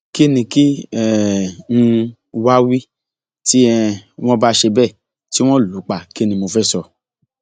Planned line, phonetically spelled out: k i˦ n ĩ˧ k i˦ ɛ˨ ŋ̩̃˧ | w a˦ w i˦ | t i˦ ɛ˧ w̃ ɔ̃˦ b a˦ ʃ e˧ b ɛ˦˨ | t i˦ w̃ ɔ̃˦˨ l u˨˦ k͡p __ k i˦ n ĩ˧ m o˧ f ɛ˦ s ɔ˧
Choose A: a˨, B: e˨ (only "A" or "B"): A